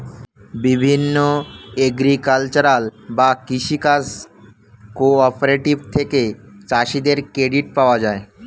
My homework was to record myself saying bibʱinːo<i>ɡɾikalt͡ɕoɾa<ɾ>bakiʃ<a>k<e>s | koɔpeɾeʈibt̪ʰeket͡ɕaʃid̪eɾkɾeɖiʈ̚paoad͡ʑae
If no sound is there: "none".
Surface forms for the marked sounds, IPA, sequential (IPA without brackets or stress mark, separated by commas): e, l, i, a